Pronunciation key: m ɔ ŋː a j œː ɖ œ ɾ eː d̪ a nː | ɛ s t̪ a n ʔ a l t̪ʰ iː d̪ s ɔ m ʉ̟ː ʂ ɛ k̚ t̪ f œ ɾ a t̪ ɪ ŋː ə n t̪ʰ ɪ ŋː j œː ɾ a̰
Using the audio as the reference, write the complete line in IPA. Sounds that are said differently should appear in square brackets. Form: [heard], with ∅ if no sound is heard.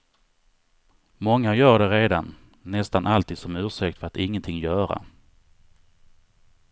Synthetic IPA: m ɔ ŋː a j œː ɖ [ɛ] ɾ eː d̪ a nː | ɛ s t̪ a n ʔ a l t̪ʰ iː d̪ s ɔ m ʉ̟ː ʂ ɛ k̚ t̪ f œ ɾ a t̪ ɪ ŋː ə n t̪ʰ ɪ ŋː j œː ɾ a̰

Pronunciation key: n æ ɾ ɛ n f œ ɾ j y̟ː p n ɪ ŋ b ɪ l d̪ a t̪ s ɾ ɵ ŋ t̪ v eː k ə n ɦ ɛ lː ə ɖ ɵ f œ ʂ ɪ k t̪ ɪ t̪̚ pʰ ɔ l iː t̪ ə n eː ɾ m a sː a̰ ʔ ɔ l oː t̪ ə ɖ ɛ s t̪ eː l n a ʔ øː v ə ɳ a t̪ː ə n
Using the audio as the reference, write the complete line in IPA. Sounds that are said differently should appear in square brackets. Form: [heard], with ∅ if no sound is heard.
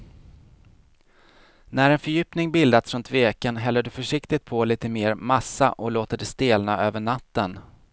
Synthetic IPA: n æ ɾ ɛ n f œ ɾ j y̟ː p n ɪ ŋ b ɪ l d̪ a t̪ s ɾ ɵ [n] t̪ v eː k ə n ɦ ɛ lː ə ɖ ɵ f œ ʂ ɪ k t̪ ɪ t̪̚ pʰ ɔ l iː t̪ ə [m] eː ɾ m a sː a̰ ʔ ɔ l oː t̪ ə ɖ ɛ s t̪ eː l n a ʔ øː v ə ɳ a t̪ː ə n

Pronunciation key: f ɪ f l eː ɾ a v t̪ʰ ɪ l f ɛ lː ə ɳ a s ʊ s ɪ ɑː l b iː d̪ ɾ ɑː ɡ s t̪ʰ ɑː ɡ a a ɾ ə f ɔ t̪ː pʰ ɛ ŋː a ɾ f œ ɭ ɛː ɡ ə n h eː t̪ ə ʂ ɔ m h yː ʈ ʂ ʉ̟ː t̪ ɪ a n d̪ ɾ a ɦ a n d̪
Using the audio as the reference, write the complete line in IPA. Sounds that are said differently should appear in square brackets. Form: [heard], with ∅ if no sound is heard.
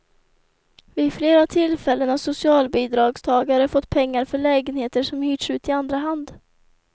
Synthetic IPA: [v] ɪ f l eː ɾ a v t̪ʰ ɪ l f ɛ lː ə [n] a s ʊ s ɪ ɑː l b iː d̪ ɾ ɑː ɡ s t̪ʰ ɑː ɡ a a ɾ ə f ɔ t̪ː pʰ ɛ ŋː a ɾ f œ ɭ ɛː ɡ ə n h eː t̪ ə ʂ ɔ m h yː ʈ ʂ ʉ̟ː t̪ ɪ a n d̪ ɾ a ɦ a n d̪

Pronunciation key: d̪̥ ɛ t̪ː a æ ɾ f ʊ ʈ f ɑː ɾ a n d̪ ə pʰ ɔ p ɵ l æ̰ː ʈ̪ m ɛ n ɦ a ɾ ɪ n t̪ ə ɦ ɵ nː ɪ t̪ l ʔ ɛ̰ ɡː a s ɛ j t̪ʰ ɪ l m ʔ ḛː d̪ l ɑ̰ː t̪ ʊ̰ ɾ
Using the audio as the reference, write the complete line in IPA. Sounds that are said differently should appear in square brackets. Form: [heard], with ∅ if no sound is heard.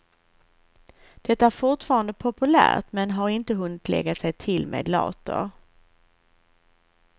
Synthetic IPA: d̪̥ ɛ t̪ː a æ ɾ f ʊ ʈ f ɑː ɾ a n d̪ ə pʰ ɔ p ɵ l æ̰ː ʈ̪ m ɛ n ɦ a ɾ ɪ n t̪ ə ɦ ɵ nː ɪ t̪ l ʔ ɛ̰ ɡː a s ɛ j t̪ʰ ɪ l m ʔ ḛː d̪ l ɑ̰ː t̪ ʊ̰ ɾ

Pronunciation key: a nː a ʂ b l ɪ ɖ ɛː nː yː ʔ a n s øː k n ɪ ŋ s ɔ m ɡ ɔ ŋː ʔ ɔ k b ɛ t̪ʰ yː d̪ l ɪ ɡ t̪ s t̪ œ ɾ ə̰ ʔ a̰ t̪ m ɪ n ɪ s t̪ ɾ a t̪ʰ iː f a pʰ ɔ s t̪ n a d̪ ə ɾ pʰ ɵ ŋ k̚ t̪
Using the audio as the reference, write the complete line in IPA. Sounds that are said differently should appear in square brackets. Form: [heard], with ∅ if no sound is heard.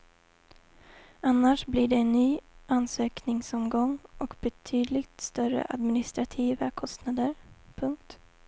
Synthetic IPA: a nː a ʂ b l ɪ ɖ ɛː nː yː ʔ a n s øː k n ɪ ŋ s ɔ m ɡ ɔ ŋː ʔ ɔ k b ɛ t̪ʰ yː d̪ l ɪ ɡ t̪ s t̪ œ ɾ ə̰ ʔ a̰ [d̪] m ɪ n ɪ s t̪ ɾ a t̪ʰ iː [v] a [kʰ] ɔ s t̪ n a d̪ ə ɾ pʰ ɵ ŋ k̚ t̪

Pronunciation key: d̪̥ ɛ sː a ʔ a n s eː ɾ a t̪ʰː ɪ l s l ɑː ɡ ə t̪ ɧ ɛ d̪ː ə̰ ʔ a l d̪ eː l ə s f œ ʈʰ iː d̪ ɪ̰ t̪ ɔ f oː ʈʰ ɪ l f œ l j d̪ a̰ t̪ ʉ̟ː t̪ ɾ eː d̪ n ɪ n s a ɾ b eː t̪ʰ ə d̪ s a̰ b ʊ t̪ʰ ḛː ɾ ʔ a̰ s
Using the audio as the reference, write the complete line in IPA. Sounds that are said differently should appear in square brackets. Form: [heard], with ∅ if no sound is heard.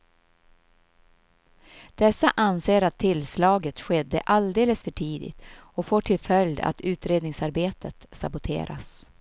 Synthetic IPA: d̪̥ ɛ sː a ʔ a n s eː ɾ a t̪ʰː ɪ l s l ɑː ɡ ə t̪ ɧ ɛ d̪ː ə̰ ʔ a l d̪ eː l ə s f œ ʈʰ iː d̪ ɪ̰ t̪ ɔ f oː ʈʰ ɪ l f œ l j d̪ a̰ t̪ ʉ̟ː t̪ ɾ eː d̪ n ɪ [ŋ] s a ɾ b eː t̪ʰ ə [t̪] s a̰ b ʊ t̪ʰ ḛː ɾ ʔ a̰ s

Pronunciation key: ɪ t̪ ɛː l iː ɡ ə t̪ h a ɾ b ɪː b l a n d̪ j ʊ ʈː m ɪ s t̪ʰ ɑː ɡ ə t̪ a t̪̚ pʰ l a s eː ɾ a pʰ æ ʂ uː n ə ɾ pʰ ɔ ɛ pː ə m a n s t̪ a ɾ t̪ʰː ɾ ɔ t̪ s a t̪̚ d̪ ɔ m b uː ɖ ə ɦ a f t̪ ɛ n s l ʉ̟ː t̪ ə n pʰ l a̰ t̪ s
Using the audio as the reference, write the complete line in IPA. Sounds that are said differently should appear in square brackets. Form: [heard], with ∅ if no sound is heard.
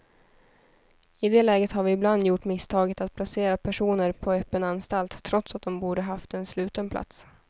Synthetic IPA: ɪ [d̪] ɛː l [ɛː] ɡ ə t̪ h a ɾ [v] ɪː b l a n d̪ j ʊ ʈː m ɪ s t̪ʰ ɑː ɡ ə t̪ a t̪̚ pʰ l a s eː ɾ a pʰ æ ʂ uː n ə ɾ pʰ ɔ ɛ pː ə [n] a n s t̪ a [l] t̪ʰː ɾ ɔ t̪ s a t̪̚ d̪ ɔ m b uː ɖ ə ɦ a f t̪ ɛ n s l ʉ̟ː t̪ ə n pʰ l a̰ t̪ s

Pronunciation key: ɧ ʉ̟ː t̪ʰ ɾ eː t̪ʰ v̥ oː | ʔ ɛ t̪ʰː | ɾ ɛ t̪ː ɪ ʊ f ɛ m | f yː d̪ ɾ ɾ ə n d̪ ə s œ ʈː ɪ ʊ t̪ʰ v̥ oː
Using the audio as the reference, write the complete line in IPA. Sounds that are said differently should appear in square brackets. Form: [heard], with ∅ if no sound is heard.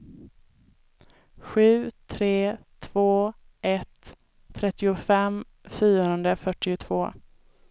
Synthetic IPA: ɧ ʉ̟ː t̪ʰ ɾ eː t̪ʰ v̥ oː | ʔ ɛ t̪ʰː | ɾ ɛ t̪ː ɪ ʊ f ɛ m | f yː [∅] ɾ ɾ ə n d̪ ə [f] œ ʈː ɪ ʊ t̪ʰ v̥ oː

